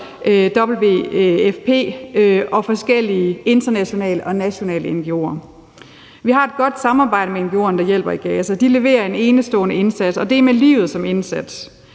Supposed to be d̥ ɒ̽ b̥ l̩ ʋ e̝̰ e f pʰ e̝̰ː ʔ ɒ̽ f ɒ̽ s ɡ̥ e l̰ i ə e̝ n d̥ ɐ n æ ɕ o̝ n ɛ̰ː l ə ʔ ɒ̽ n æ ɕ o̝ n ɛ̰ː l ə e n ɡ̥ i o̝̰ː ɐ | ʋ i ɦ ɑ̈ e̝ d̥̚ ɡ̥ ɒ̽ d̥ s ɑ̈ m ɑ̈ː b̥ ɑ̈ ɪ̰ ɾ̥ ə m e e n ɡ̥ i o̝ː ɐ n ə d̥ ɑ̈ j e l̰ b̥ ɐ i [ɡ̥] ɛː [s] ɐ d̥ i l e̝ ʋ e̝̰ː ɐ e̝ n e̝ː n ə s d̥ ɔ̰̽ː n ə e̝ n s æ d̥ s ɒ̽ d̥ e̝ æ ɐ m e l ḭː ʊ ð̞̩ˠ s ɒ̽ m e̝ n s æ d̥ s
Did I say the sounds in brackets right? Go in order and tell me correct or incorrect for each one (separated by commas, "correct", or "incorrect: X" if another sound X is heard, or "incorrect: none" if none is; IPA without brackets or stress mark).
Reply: correct, correct